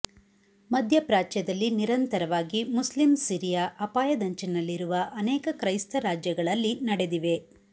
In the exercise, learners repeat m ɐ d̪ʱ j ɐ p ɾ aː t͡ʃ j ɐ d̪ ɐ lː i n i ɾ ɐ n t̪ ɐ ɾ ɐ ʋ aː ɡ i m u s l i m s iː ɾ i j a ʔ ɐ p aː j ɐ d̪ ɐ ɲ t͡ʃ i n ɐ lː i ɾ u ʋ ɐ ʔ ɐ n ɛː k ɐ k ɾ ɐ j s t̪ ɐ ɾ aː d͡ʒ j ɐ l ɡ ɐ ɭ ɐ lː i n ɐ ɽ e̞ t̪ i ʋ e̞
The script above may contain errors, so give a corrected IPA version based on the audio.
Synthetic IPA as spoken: m ɐ d̪ʱ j ɐ p ɾ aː t͡ʃ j ɐ d̪ ɐ lː i n i ɾ ɐ n t̪ ɐ ɾ ɐ ʋ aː ɡ i m u s l i m s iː ɾ i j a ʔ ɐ p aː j ɐ d̪ ɐ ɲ t͡ʃ i n ɐ lː i ɾ u ʋ ɐ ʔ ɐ n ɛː k ɐ k ɾ ɐ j s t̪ ɐ ɾ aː d͡ʒ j ɐ ɡ ɐ ɭ ɐ lː i n ɐ ɽ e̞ d̪ i ʋ e̞